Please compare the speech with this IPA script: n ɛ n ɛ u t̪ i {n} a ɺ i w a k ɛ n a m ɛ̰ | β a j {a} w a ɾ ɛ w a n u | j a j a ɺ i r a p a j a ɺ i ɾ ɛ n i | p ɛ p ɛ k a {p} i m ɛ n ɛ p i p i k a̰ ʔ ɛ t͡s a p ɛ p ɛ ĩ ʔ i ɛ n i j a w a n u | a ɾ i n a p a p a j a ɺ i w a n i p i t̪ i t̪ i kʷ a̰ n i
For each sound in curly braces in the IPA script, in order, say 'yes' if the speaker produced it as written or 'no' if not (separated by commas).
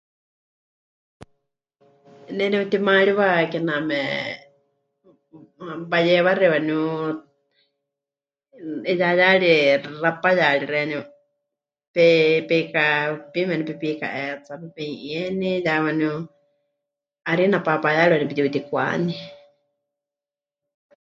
no, no, yes